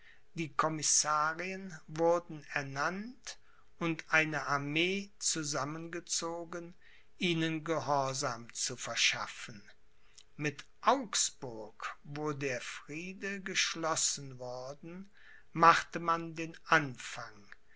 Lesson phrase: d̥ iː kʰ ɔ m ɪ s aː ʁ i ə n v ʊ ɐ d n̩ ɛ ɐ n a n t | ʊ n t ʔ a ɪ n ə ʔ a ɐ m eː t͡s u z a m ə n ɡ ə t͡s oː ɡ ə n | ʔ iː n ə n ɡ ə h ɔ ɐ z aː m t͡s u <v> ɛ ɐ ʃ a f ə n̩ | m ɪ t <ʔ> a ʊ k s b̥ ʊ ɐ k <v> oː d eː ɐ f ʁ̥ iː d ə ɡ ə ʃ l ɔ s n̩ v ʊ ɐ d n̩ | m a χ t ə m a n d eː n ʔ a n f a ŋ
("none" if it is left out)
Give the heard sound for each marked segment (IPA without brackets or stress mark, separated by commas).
f, ʔ, v